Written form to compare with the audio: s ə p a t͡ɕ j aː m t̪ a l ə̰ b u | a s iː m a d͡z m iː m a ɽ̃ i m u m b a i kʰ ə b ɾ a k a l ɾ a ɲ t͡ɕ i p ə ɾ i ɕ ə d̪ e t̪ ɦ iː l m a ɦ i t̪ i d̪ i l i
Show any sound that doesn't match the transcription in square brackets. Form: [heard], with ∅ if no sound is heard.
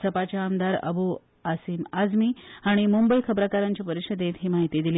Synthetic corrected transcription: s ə p a t͡ɕ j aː m [d̪] a [ɾ] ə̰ b u | a s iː m a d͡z m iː [∅] a ɽ̃ i m u m b [ə] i kʰ ə b ɾ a k a [∅] ɾ a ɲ t͡ɕ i p ə ɾ i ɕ ə d̪ e t̪ ɦ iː [∅] m a ɦ i t̪ i d̪ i l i